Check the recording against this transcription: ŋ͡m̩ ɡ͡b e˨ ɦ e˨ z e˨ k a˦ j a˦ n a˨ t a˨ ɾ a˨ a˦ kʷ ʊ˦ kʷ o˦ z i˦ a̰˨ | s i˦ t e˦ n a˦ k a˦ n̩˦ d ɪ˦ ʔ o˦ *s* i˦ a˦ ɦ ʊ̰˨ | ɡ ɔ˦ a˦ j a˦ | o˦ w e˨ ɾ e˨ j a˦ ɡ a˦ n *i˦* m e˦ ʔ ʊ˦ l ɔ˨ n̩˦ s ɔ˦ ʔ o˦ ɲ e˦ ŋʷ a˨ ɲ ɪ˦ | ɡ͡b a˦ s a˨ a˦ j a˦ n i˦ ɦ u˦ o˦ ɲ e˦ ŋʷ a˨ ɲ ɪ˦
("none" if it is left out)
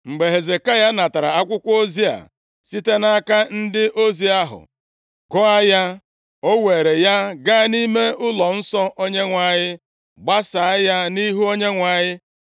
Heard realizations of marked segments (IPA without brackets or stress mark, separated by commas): z, i˦